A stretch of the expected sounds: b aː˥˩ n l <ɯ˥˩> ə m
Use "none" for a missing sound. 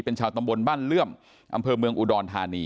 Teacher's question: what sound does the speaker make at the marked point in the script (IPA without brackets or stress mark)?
ɯ˥˩